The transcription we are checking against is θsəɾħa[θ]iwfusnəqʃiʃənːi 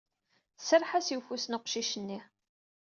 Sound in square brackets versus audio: incorrect: s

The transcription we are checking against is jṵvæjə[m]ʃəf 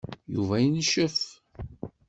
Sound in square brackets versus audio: incorrect: n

